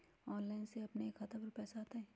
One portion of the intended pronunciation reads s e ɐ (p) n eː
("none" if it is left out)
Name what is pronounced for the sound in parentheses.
p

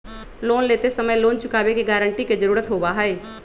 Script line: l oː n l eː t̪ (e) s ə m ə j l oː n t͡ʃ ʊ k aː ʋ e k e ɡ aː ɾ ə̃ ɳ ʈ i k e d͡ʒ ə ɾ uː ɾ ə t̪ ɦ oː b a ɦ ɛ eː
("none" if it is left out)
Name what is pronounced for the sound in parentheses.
e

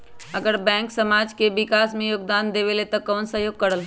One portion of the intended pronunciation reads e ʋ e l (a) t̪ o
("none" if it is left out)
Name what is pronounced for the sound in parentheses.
e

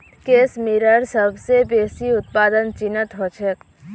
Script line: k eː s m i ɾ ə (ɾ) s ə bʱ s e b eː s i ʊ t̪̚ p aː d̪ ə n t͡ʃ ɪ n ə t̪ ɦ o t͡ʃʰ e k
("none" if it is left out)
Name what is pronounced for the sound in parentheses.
ɾ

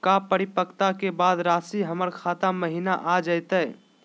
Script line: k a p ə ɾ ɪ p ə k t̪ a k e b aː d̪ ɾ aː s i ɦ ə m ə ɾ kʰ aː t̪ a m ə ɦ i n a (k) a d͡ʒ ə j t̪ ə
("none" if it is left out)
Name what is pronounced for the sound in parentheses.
ʔ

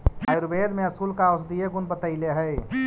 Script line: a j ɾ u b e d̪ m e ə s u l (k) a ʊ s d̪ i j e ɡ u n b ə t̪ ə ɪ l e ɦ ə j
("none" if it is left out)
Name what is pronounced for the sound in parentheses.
k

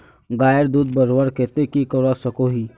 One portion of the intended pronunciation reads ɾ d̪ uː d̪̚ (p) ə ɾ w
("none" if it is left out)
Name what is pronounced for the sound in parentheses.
b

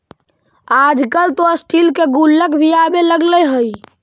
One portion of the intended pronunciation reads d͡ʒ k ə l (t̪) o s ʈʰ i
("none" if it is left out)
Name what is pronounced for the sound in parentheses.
t̪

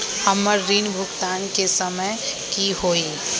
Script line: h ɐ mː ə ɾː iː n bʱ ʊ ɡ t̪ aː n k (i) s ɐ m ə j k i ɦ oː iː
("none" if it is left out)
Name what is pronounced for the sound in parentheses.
e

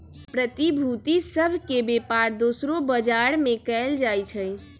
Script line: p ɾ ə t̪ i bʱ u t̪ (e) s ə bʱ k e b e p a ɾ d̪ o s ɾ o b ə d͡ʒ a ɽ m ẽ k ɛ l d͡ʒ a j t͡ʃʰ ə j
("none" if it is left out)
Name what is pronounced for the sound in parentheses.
i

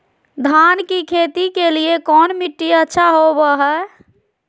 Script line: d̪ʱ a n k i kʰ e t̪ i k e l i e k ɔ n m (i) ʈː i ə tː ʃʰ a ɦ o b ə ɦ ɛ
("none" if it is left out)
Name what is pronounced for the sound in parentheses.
i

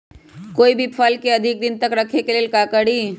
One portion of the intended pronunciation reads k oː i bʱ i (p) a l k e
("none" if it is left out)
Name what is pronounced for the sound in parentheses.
pʰ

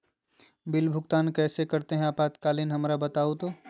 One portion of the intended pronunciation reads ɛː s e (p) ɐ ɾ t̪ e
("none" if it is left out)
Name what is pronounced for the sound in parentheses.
k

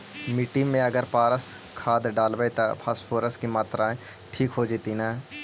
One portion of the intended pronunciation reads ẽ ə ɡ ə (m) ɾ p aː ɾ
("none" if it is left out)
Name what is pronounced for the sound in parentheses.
none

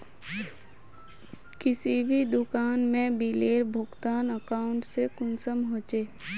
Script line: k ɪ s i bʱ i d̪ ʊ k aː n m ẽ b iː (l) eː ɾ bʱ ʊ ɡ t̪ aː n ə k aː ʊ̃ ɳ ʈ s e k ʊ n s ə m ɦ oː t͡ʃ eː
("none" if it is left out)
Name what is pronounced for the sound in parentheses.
l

